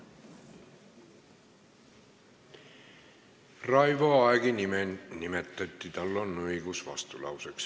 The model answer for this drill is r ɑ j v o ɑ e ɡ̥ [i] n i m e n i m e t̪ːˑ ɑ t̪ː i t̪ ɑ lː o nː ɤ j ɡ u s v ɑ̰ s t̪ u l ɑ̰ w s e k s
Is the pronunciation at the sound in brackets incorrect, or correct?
correct